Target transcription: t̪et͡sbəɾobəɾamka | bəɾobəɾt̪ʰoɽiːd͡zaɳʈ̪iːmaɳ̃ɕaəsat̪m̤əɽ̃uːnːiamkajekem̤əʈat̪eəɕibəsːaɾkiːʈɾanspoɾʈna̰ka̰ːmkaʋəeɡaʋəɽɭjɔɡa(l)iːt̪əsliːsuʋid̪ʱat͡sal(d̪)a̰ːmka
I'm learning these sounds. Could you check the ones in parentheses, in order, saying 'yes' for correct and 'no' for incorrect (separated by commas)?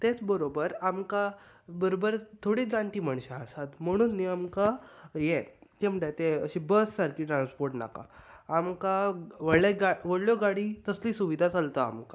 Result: no, no